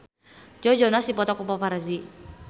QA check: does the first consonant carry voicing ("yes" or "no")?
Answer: yes